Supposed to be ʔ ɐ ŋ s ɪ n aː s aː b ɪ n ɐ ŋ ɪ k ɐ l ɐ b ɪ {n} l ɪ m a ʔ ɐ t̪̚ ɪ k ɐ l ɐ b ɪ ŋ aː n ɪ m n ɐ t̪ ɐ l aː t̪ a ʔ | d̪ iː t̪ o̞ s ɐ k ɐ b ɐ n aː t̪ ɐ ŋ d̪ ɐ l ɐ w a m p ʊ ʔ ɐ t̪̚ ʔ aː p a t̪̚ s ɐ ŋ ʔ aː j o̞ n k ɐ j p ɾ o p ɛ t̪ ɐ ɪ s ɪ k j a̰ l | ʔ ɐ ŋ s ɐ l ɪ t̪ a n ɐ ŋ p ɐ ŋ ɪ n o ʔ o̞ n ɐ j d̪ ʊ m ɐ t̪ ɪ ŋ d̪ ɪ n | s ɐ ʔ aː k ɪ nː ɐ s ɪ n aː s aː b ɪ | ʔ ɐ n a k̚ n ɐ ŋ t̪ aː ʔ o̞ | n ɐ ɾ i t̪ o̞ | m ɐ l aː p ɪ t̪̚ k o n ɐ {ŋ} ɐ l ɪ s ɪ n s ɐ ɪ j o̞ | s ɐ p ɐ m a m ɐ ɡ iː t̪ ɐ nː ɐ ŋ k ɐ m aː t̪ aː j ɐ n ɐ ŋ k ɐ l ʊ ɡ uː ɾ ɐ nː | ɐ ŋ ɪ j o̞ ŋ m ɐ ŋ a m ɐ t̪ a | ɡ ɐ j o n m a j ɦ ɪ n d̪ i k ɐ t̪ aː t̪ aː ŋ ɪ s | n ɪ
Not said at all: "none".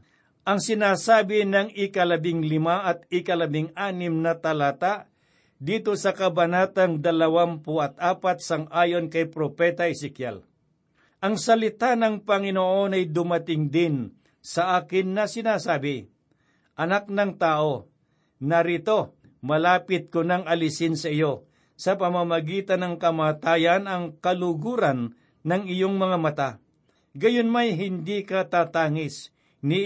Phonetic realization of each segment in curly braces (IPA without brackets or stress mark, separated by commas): ŋ, ŋ